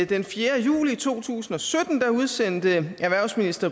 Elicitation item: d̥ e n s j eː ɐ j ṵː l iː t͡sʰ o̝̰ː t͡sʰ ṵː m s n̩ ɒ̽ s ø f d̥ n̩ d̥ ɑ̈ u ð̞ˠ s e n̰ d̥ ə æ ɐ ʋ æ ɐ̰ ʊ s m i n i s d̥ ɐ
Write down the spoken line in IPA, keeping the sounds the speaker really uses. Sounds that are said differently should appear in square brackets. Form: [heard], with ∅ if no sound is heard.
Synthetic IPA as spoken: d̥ e n [f] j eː ɐ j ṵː l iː t͡sʰ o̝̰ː t͡sʰ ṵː [∅] s n̩ ɒ̽ s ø [∅] d̥ n̩ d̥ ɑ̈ u ð̞ˠ s e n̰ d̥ ə æ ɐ ʋ æ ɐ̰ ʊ s m i n i s d̥ ɐ